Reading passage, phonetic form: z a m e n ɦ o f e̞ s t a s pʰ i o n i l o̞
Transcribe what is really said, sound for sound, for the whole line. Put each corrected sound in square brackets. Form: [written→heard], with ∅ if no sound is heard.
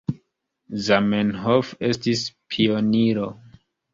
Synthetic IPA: z a m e n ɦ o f e̞ s t [a→i] s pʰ i o n i [l→ɾ] o̞

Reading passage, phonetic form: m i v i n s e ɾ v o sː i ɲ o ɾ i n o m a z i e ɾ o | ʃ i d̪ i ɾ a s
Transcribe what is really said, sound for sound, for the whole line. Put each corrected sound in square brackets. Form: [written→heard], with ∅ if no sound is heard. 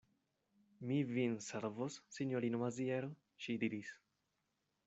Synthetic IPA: m i v i n s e ɾ v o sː i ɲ o ɾ i n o m a z i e ɾ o | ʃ i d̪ i ɾ [a→i] s

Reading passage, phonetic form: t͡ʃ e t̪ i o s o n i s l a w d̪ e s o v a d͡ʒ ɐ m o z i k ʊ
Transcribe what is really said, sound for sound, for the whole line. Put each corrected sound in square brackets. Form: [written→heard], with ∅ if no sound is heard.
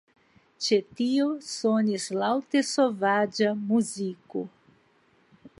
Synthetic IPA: t͡ʃ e t̪ i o s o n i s l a w [d̪→t̪] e s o v a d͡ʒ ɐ m [o→u] z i k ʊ

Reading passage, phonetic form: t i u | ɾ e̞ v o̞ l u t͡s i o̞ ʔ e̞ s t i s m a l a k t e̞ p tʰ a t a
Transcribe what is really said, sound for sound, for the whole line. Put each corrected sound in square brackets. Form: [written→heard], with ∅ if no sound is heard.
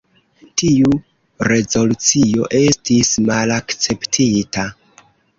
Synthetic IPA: t i u | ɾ e̞ [v→z] o̞ l u t͡s i o̞ ʔ e̞ s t i s m a l a k [t→t͡s] e̞ p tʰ [a→i] t a

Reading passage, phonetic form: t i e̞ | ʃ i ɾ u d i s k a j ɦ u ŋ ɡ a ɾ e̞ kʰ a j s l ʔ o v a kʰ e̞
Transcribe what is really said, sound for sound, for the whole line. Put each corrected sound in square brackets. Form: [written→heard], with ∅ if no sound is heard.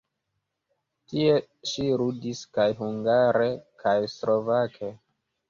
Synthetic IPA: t i e̞ | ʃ i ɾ u d i s k a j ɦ u ŋ ɡ a ɾ e̞ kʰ a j s l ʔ o v a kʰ e̞

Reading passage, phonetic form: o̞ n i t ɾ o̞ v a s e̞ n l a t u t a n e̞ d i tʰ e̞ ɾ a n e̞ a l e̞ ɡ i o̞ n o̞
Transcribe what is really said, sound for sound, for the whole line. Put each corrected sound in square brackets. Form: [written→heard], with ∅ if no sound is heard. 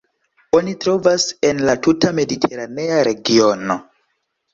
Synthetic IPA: o̞ n i t ɾ o̞ v a s e̞ n l a t u t a [n→m] e̞ d i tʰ e̞ ɾ a n e̞ a [l→ɾ] e̞ ɡ i o̞ n o̞

